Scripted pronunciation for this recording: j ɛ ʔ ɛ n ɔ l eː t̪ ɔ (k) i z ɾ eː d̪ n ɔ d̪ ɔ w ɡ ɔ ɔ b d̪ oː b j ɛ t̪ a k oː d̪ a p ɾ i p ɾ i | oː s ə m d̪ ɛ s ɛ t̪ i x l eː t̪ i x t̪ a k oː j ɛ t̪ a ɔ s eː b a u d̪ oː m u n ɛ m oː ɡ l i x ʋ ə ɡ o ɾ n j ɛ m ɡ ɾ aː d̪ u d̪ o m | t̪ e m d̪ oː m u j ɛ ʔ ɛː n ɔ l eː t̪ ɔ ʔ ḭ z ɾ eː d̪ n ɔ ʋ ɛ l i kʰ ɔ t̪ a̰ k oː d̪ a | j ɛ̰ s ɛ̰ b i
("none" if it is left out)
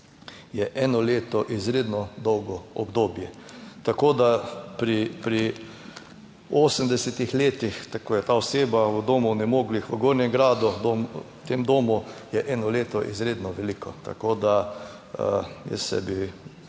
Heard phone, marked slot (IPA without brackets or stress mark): ʔ